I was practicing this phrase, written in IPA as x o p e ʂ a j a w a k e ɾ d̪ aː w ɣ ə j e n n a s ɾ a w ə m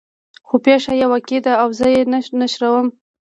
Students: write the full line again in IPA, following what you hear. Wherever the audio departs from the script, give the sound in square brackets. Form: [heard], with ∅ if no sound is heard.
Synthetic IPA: x o p e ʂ a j a w a k e [∅] d̪ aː w [z] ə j e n n a [ʃ] ɾ a w ə m